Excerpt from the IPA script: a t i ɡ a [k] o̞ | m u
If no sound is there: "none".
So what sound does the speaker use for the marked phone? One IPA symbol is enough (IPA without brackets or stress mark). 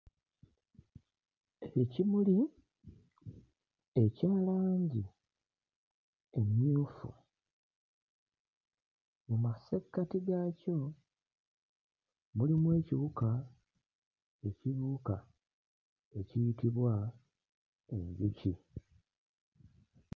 c